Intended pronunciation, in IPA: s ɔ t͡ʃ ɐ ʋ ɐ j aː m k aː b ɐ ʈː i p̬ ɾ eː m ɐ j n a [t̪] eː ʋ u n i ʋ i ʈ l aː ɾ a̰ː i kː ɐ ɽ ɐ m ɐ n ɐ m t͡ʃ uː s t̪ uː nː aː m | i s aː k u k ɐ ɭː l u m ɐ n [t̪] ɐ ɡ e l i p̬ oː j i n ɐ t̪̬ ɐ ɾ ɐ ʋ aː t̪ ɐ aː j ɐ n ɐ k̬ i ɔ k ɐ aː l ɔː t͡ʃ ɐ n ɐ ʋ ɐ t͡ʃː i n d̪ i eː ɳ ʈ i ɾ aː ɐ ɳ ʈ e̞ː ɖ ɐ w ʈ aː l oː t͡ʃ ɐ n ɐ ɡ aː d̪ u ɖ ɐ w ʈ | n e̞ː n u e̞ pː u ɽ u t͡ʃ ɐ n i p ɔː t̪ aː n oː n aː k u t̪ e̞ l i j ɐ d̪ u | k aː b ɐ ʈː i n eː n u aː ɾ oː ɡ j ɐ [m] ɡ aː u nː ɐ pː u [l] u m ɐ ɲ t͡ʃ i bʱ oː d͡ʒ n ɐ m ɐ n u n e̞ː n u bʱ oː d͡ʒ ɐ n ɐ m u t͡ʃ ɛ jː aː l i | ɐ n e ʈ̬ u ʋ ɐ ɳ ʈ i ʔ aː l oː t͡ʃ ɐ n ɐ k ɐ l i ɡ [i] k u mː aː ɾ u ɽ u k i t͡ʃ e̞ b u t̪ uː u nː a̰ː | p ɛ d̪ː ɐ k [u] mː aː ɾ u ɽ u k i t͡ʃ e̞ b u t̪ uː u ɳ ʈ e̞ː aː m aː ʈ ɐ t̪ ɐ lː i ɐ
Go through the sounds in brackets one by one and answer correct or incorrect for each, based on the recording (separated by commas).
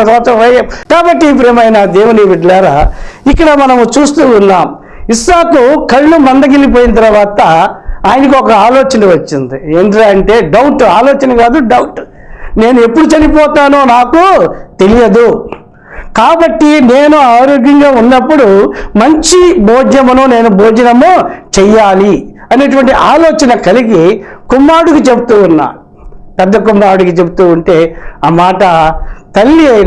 incorrect, incorrect, incorrect, incorrect, correct, correct